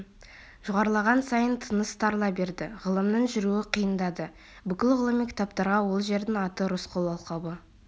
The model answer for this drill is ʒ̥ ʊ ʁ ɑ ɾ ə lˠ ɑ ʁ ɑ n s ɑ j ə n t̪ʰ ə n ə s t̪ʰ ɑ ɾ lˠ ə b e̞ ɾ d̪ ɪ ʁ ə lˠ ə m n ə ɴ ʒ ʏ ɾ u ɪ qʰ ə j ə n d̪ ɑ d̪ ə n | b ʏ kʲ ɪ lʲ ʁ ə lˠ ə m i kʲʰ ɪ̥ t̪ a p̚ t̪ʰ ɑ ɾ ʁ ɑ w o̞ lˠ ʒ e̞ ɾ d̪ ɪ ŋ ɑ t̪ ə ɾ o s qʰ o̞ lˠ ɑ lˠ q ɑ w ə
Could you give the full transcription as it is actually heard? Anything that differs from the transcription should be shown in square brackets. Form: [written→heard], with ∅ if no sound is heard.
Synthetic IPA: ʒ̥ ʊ ʁ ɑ ɾ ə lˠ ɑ ʁ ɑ n s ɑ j ə n t̪ʰ ə n ə s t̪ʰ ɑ ɾ lˠ [ə→ɑ] b e̞ ɾ d̪ ɪ ʁ ə lˠ ə m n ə ɴ ʒ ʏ ɾ u ɪ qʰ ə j ə n d̪ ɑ d̪ ə [n→∅] | b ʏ kʲ ɪ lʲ ʁ ə lˠ ə m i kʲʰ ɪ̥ t̪ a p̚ [t̪ʰ→t̪] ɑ ɾ ʁ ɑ w o̞ lˠ ʒ e̞ ɾ d̪ ɪ ŋ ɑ t̪ ə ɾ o s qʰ o̞ lˠ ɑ lˠ q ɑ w ə